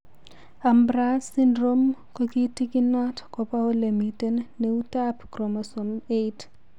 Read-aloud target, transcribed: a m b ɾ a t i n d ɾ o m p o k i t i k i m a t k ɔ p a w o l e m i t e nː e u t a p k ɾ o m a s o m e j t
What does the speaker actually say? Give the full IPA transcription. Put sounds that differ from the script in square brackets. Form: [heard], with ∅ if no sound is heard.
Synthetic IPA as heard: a m b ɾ a [s] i n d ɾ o m [k] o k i t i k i [n] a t k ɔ p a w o l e m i t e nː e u t a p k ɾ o m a s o m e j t